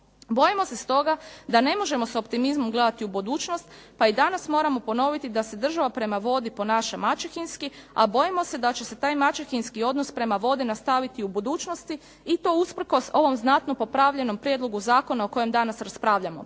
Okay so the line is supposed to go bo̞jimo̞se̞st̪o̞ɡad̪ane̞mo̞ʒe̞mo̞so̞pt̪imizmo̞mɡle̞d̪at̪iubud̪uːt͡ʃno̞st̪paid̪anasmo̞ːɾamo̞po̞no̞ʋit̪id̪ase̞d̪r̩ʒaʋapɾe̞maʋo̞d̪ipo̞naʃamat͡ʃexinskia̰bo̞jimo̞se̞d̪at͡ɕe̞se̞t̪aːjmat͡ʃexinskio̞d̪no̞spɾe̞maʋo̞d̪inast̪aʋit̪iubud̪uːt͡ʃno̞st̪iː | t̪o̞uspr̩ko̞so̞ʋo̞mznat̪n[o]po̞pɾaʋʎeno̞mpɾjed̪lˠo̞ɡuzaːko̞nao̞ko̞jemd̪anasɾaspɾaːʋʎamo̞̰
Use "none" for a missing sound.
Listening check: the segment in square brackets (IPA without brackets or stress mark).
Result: o